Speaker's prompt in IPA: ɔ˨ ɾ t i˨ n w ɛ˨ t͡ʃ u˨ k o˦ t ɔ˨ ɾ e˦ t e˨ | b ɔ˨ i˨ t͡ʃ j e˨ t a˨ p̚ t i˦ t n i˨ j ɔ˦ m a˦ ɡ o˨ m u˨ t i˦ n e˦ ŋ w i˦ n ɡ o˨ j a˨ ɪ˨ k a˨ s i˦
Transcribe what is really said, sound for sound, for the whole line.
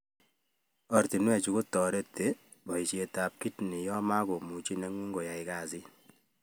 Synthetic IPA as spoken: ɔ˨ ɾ t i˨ n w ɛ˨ t͡ʃ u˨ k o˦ t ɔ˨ ɾ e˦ t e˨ | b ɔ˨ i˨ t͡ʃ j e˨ t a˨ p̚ k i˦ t n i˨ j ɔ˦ m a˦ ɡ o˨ m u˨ t͡ʃ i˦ n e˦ ŋ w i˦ ŋ ɡ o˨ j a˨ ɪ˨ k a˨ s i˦